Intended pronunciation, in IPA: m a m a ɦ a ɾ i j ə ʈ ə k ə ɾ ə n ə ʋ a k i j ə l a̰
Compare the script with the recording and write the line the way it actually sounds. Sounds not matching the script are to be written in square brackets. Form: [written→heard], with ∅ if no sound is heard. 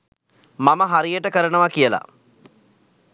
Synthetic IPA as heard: m a m [a→ə] ɦ a ɾ i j ə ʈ ə k ə ɾ ə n ə ʋ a k i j ə l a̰